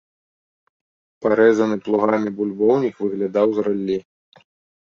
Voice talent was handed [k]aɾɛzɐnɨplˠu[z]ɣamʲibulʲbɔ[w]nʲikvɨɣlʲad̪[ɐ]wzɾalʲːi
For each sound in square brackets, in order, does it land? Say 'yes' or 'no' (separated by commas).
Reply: no, no, yes, no